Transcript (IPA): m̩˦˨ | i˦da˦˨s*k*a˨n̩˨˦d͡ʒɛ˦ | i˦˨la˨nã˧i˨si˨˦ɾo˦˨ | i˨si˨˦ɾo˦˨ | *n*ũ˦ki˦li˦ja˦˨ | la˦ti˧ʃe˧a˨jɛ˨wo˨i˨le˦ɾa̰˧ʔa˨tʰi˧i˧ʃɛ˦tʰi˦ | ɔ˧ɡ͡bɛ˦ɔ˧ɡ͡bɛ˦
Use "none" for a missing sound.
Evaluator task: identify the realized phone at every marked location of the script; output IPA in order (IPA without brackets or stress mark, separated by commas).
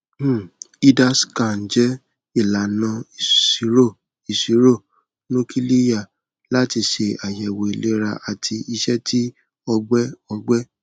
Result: k, n